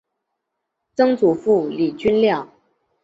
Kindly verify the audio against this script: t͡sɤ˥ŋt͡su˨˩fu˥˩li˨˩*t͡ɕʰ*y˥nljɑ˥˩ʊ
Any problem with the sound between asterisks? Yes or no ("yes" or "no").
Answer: yes